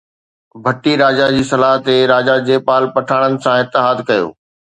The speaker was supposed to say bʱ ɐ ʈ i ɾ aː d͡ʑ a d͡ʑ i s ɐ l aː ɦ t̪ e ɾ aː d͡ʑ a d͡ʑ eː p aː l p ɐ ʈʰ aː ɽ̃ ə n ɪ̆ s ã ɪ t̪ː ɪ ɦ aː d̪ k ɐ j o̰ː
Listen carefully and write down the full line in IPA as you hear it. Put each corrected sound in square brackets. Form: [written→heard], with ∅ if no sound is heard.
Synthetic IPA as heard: bʱ ɐ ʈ i ɾ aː d͡ʑ a d͡ʑ [i→iː] s ɐ l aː ɦ t̪ e ɾ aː d͡ʑ a d͡ʑ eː p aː l p ɐ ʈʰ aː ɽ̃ ə n ɪ̆ s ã ɪ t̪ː ɪ ɦ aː d̪ k ɐ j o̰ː